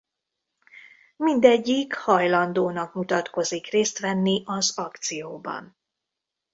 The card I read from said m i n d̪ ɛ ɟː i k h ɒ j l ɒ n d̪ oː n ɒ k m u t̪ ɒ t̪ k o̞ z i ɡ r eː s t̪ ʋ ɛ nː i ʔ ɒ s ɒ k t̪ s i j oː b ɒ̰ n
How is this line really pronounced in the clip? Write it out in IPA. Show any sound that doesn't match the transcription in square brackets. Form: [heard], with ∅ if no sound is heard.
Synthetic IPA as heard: m i n d̪ ɛ ɟː i k h ɒ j l ɒ n d̪ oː n ɒ k m u t̪ ɒ t̪ k o̞ z i [k] r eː s t̪ ʋ ɛ nː i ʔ ɒ [z] ɒ k t̪ s i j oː b ɒ̰ n